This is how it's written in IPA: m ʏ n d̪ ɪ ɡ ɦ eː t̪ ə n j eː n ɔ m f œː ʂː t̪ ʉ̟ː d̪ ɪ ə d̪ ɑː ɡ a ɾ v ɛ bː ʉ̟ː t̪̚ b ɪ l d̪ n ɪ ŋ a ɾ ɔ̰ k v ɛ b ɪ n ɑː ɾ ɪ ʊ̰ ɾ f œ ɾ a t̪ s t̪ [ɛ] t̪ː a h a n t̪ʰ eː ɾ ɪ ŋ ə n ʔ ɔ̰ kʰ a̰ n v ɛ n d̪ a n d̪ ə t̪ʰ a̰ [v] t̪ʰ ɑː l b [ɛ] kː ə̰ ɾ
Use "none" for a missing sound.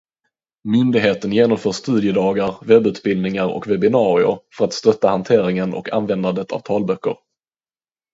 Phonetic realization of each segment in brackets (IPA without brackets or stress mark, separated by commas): œ, v, œ